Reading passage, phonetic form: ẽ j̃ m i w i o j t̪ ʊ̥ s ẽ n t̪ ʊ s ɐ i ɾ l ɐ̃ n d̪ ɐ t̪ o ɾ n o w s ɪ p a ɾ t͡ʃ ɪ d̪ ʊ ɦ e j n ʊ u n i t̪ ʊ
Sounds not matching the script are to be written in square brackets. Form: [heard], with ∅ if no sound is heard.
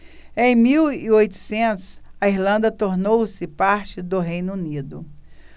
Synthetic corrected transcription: ẽ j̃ m i w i o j t̪ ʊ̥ s ẽ n t̪ ʊ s ɐ i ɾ l ɐ̃ n d̪ ɐ t̪ o ɾ n o w s ɪ p a ɾ t͡ʃ ɪ d̪ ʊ ɦ e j n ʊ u n i [d̪] ʊ